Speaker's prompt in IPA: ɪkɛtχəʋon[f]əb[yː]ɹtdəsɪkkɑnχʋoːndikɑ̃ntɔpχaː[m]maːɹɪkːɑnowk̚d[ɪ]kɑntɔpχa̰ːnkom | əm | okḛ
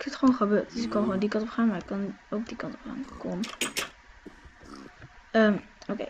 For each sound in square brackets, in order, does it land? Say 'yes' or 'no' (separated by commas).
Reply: no, no, no, no